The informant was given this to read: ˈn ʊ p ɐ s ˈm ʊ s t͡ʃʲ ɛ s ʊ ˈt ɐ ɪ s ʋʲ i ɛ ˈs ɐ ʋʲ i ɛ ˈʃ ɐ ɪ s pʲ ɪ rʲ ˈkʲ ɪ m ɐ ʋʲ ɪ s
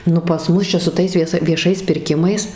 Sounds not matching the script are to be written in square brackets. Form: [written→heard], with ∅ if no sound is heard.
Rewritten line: ˈn ʊ p ɐ s ˈm ʊ s t͡ʃʲ ɛ s ʊ ˈt ɐ ɪ s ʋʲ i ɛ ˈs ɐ ʋʲ i ɛ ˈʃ ɐ ɪ s pʲ ɪ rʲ ˈkʲ ɪ m ɐ [ʋʲ→∅] ɪ s

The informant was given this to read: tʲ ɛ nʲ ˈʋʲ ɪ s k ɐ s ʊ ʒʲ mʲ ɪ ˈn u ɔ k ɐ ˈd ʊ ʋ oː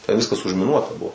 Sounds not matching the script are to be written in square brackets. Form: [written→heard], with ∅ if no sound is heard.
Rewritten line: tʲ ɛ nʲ ˈʋʲ ɪ s k ɐ s ʊ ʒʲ mʲ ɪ ˈn u ɔ [k→t] ɐ [ˈd→ˈb] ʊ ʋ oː

